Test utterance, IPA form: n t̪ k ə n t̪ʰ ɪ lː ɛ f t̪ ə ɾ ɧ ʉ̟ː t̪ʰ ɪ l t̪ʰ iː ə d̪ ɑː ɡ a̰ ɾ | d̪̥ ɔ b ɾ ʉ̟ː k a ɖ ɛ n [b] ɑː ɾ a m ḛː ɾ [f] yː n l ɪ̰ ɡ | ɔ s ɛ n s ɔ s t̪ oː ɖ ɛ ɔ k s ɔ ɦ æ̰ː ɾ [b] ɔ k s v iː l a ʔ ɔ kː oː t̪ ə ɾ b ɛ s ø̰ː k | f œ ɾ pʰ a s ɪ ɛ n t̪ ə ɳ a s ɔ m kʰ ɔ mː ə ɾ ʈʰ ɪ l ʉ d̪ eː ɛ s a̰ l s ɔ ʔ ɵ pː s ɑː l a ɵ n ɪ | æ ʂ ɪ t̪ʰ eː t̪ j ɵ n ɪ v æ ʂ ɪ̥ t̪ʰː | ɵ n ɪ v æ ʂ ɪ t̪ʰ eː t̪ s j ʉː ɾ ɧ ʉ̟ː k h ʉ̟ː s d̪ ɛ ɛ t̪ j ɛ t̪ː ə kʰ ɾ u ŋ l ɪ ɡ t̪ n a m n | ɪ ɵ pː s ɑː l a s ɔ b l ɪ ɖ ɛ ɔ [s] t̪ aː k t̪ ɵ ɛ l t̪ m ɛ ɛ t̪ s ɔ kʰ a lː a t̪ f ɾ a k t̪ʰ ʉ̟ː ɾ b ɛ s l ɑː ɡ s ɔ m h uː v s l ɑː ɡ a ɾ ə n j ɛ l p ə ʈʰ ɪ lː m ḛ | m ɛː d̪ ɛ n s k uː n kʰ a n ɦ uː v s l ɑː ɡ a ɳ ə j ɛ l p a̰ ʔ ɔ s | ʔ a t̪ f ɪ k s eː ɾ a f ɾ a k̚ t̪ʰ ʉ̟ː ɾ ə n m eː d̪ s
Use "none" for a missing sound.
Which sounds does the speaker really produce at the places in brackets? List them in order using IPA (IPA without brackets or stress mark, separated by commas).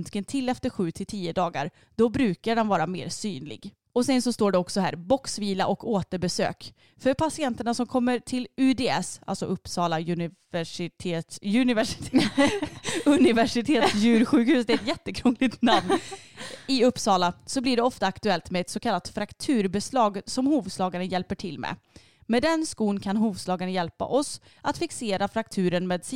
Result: v, s, b, f